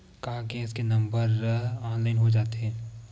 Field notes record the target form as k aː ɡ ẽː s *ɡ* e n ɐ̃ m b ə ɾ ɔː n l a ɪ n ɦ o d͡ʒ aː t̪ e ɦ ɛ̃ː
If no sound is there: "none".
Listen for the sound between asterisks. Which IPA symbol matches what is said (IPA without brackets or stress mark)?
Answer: k